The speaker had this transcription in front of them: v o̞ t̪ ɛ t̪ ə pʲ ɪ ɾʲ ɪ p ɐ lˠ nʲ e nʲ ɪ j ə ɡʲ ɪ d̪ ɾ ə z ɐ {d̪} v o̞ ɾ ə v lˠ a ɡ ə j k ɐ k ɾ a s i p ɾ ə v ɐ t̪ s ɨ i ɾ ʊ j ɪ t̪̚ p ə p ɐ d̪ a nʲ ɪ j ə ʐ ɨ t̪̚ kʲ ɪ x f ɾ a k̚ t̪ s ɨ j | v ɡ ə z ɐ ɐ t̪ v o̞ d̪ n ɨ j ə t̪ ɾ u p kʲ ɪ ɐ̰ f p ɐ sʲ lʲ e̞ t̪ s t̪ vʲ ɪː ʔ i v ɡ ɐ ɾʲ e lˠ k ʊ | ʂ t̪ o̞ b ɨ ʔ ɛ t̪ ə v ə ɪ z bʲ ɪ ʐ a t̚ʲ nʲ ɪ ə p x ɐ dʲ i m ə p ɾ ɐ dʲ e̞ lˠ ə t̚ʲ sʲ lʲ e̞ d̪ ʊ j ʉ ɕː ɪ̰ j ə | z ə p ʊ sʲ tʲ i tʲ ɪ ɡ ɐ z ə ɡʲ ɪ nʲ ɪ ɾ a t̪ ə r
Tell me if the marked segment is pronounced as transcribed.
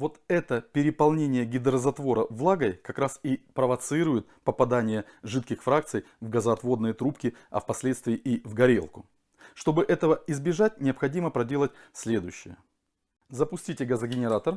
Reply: no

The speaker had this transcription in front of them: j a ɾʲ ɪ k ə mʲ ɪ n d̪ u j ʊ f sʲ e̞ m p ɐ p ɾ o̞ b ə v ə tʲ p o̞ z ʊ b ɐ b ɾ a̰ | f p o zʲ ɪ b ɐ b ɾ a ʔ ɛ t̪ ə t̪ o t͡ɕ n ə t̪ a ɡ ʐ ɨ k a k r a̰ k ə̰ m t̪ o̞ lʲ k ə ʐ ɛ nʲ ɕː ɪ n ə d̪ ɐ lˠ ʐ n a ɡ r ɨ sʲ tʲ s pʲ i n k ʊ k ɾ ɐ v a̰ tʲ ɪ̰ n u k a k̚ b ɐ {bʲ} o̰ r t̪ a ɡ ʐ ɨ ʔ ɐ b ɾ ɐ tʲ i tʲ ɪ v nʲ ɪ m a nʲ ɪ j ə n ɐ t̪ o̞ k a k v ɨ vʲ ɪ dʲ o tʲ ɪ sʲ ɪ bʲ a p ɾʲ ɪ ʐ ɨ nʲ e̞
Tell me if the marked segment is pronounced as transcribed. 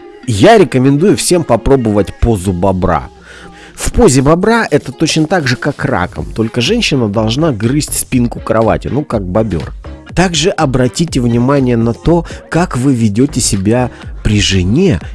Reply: yes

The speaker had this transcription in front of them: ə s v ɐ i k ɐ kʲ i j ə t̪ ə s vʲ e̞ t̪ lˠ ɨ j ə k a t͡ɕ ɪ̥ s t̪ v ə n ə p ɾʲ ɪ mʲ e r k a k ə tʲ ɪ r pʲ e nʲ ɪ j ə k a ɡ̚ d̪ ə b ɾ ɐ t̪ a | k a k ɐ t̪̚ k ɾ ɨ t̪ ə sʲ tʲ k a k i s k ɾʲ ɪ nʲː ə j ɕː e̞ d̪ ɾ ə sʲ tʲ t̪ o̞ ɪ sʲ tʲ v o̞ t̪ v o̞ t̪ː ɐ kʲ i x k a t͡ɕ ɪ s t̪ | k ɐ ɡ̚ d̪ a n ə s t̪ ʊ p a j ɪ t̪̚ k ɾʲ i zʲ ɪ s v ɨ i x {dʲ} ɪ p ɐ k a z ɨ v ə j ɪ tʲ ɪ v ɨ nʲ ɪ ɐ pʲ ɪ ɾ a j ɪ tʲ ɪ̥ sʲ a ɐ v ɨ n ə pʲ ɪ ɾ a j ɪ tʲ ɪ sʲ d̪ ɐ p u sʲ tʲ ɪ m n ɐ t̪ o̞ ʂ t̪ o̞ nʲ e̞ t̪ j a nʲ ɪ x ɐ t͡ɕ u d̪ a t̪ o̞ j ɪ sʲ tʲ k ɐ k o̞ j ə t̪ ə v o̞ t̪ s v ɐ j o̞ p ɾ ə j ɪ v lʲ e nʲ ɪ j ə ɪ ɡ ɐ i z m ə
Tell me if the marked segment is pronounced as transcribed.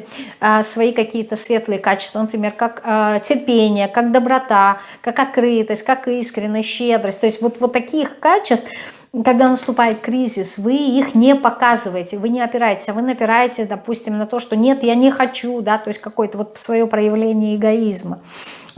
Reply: no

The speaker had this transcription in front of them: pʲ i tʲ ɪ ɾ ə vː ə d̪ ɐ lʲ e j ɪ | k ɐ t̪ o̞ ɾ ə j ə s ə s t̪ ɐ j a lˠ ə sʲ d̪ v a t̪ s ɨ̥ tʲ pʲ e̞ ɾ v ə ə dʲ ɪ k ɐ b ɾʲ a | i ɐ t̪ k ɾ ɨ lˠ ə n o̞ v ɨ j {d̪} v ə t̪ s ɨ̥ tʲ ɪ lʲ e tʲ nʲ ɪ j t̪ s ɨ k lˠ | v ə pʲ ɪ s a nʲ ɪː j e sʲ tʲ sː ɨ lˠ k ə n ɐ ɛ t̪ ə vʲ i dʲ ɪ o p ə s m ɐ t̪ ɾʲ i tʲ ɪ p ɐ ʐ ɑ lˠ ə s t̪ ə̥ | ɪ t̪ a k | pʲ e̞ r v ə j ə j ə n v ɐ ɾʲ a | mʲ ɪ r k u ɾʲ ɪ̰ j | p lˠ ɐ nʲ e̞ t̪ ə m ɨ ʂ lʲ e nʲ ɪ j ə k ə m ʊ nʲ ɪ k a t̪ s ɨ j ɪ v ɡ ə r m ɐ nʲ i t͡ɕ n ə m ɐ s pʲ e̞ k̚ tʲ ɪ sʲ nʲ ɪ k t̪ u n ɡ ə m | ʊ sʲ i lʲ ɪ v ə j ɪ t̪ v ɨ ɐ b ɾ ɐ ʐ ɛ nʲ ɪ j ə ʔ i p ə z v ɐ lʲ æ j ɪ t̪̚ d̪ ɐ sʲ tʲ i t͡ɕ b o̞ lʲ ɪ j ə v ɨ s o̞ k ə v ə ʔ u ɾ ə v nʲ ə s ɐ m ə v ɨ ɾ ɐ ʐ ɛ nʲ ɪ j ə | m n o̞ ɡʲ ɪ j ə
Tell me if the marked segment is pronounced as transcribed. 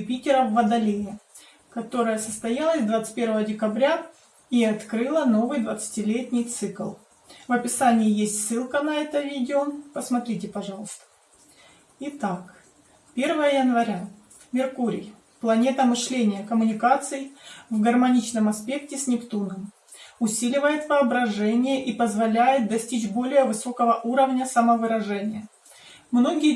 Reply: yes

